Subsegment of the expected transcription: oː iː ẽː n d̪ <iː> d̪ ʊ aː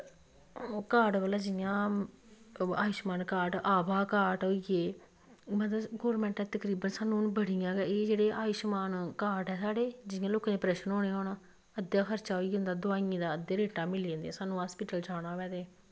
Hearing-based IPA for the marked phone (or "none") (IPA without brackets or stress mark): aː